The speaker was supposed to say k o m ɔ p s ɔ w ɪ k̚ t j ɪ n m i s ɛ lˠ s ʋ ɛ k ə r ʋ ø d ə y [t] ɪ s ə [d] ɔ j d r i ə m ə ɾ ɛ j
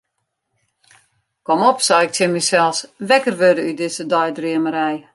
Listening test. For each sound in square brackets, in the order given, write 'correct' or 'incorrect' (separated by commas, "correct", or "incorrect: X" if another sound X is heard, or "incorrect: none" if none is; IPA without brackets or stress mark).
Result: incorrect: d, correct